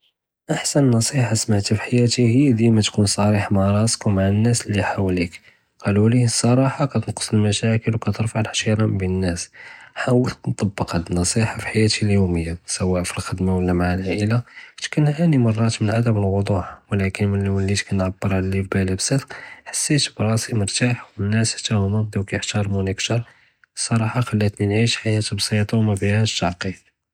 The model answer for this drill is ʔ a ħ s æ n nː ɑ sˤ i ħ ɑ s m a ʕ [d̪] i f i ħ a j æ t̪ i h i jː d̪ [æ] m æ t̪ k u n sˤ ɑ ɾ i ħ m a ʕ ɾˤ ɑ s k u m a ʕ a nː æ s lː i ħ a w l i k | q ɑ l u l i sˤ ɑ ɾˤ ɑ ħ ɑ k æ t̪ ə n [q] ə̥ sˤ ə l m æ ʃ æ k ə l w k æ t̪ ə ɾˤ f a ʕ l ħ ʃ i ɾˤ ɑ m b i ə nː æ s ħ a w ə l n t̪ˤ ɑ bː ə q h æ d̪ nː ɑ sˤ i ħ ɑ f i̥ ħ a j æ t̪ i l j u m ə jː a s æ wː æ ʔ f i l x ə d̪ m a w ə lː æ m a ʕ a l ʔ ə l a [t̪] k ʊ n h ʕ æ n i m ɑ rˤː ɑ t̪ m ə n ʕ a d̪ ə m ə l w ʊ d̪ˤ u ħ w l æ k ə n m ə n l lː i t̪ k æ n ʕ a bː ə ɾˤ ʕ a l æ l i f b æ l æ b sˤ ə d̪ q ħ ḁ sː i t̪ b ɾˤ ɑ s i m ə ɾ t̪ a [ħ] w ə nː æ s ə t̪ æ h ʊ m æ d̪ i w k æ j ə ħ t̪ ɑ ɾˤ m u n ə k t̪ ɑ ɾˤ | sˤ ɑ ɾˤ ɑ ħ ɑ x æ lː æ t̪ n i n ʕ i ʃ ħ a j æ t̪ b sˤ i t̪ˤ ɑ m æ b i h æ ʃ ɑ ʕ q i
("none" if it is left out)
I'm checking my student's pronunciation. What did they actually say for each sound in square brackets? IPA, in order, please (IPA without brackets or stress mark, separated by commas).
t̪, i, q, t̪, ħ